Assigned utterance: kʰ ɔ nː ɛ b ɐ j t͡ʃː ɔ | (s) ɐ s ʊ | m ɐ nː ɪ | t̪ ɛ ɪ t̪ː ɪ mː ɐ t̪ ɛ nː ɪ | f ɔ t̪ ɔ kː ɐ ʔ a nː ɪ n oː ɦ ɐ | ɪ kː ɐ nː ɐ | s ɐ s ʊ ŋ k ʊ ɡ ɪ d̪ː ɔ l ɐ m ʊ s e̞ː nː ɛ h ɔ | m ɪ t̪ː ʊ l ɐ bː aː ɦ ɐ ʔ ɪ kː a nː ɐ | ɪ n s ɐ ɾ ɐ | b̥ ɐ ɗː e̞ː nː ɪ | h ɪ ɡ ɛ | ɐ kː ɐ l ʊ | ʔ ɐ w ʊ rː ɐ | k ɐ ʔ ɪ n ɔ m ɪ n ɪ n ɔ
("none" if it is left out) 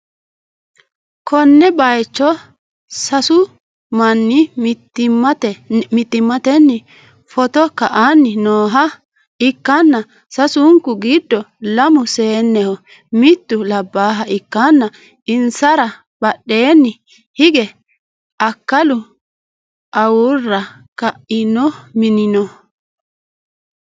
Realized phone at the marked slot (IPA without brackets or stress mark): s